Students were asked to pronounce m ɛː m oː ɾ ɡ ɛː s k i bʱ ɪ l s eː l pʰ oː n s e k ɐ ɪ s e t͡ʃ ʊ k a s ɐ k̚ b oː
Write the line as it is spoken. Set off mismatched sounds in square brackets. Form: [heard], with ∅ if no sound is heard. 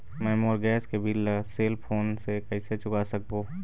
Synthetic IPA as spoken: m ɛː m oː ɾ ɡ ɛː s k [e] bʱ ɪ l s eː l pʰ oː n s e k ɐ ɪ s e t͡ʃ ʊ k a s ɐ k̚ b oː

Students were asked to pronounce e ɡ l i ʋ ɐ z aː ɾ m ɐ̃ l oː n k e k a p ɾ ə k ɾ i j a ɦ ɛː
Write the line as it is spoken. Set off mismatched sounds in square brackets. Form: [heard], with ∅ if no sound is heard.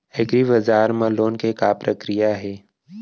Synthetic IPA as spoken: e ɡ [ɾ] i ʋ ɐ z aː ɾ m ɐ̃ l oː n k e k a p ɾ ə k ɾ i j a ɦ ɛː

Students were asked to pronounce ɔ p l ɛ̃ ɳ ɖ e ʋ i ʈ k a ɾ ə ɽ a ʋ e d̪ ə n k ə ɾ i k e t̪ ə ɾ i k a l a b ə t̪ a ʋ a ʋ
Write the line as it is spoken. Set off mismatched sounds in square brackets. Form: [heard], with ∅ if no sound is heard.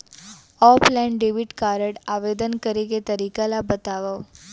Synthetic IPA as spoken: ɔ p l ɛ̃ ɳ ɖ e ʋ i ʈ k a ɾ ə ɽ a ʋ e d̪ ə n k ə ɾ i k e t̪ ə ɾ i k a l a b ə t̪ a ʋ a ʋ

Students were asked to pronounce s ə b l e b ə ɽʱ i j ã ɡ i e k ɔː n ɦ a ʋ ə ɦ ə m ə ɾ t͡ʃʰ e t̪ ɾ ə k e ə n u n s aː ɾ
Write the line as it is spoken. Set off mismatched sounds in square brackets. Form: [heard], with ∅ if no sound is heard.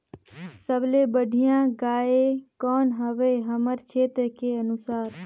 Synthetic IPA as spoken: s ə b l e b ə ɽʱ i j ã ɡ [a] e k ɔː n ɦ [ə] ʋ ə ɦ ə m ə ɾ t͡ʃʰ e t̪ ɾ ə k e ə n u [∅] s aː ɾ

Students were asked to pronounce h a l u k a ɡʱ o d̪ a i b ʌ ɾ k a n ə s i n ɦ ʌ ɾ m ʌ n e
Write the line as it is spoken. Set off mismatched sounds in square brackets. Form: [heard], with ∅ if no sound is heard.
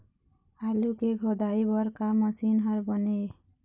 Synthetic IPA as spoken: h a l u k [e] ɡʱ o d̪ a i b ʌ ɾ k a [m] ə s i n ɦ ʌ ɾ [b] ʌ n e

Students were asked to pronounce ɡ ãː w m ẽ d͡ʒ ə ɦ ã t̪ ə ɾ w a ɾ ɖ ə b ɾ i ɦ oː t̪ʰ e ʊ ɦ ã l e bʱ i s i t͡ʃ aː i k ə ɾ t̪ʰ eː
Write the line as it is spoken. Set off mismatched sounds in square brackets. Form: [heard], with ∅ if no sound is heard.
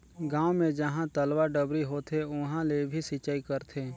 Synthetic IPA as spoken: ɡ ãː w m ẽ d͡ʒ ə ɦ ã t̪ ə [l] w a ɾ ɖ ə b ɾ i ɦ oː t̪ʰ e ʊ ɦ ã l e bʱ i s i t͡ʃ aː i k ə ɾ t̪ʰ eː

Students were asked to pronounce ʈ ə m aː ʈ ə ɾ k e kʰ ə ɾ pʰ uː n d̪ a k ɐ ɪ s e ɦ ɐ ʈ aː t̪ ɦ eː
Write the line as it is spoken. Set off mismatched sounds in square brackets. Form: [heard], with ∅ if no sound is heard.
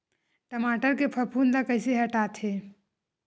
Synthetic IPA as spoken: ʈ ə m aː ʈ ə ɾ k e [pʰ] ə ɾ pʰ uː n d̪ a k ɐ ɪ s e ɦ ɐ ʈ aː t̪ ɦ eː

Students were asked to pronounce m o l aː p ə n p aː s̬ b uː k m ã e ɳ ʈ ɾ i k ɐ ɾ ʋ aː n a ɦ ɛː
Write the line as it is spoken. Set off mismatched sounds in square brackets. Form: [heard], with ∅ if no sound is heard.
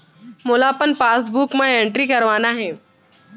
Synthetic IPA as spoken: m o l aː p ə n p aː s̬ b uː k m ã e ɳ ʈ ɾ i k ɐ ɾ ʋ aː n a ɦ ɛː

